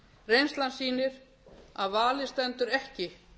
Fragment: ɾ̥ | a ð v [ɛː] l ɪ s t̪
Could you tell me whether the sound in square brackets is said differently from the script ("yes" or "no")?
yes